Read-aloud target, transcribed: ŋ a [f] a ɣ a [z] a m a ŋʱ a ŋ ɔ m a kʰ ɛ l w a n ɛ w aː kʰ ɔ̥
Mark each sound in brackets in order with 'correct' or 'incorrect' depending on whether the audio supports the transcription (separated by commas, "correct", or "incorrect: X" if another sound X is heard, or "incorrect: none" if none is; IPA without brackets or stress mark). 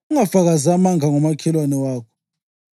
correct, correct